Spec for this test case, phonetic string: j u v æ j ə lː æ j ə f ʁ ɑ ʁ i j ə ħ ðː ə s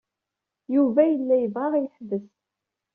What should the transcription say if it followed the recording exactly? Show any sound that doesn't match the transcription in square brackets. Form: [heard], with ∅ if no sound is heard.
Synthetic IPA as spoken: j u v æ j ə lː æ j ə [v] ʁ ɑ ʁ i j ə ħ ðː ə s